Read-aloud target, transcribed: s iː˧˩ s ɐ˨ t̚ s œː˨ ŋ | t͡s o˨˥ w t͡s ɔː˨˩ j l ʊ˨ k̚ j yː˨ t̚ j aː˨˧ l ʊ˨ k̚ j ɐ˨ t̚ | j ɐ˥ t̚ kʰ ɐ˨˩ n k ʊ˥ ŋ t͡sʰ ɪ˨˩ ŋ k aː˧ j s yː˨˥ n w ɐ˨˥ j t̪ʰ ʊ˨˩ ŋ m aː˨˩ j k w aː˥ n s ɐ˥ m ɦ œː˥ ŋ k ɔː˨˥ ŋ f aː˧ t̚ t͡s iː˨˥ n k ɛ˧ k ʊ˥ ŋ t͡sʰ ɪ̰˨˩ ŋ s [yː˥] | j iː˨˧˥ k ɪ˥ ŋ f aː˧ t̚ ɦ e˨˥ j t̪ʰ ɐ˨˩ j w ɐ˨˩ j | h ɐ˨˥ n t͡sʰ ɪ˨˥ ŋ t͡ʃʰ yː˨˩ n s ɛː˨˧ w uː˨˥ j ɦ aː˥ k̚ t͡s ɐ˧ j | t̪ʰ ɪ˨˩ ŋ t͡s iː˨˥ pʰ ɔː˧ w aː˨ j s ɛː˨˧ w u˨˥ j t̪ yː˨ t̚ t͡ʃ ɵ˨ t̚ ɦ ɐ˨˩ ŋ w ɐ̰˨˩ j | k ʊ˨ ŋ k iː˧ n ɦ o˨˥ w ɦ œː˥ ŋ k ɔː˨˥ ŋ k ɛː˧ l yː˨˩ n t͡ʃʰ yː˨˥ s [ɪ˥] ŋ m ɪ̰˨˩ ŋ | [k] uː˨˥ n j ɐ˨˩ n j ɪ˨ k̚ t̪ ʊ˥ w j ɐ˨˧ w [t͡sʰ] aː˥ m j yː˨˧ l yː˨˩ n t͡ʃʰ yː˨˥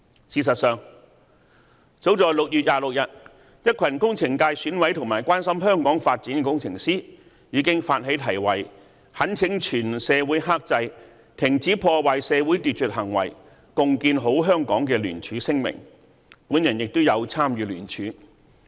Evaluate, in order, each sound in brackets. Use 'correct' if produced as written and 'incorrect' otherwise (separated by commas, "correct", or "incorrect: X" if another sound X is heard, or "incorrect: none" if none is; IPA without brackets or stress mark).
incorrect: iː˥, correct, incorrect: p, correct